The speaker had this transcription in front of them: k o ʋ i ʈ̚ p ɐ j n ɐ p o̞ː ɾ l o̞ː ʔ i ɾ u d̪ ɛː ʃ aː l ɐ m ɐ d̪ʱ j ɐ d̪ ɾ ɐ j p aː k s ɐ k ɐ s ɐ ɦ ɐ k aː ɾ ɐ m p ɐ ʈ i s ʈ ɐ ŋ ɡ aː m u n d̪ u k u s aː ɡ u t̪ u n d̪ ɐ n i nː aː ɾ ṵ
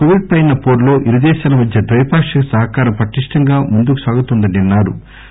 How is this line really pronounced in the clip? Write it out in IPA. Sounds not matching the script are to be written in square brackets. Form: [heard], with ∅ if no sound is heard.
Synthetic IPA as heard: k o ʋ i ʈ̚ p ɐ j n ɐ p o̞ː ɾ l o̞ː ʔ i ɾ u d̪ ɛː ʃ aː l ɐ m ɐ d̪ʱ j ɐ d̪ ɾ ɐ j p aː k [ʂ] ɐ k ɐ s ɐ ɦ ɐ k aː ɾ ɐ m p ɐ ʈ i [ʂ] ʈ ɐ ŋ ɡ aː m u n d̪ u k u s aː ɡ u t̪ u n d̪ ɐ n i nː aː ɾ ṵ

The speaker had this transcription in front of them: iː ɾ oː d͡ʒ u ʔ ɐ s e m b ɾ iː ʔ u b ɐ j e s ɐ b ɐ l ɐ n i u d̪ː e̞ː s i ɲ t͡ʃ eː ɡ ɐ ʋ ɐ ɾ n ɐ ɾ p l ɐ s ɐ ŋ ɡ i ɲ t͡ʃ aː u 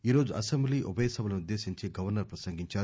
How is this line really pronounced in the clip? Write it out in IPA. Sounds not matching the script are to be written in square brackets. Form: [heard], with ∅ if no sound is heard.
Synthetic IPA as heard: iː ɾ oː d͡ʒ u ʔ ɐ s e m b [l] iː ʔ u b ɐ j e s ɐ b ɐ l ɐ n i u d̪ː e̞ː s i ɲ t͡ʃ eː ɡ ɐ ʋ ɐ ɾ n ɐ ɾ p [ɾ] ɐ s ɐ ŋ ɡ i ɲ t͡ʃ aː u

